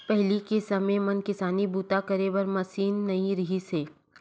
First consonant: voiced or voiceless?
voiceless